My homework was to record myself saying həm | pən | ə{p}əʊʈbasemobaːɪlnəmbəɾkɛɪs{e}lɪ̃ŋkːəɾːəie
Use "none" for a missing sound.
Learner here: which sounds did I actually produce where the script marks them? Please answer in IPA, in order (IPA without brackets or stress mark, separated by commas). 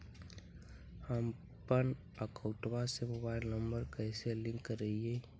k, e